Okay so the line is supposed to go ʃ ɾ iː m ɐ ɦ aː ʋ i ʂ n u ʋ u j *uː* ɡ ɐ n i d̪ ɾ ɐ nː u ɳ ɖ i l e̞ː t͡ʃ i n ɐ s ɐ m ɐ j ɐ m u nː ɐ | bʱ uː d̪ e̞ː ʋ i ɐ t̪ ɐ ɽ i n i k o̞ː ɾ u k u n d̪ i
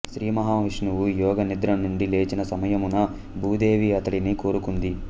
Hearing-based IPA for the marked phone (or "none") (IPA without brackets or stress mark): ɔː